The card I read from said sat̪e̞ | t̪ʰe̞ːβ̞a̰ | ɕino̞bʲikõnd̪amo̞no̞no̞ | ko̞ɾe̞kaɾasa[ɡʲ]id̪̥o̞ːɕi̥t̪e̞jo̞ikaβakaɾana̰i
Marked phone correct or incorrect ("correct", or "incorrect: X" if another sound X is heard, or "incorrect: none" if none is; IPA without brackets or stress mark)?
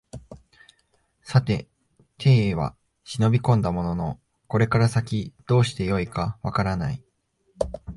incorrect: kʲ